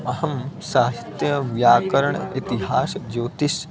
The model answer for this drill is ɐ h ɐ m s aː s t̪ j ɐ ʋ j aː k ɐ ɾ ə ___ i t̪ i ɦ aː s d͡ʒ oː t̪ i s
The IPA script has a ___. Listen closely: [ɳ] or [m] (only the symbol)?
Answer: ɳ